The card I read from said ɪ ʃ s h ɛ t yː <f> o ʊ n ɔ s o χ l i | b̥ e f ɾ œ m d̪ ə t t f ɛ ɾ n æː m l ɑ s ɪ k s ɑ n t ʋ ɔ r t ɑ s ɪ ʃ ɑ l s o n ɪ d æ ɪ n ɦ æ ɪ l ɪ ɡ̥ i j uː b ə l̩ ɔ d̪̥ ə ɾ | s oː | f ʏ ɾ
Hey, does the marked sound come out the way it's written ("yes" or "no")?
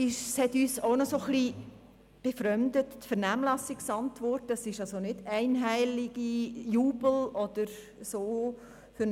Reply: no